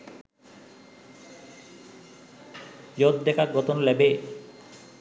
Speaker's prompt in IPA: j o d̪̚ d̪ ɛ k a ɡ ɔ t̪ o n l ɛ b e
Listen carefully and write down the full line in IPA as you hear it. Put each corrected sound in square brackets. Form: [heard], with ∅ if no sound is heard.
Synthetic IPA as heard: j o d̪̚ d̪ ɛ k a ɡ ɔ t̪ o n l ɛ b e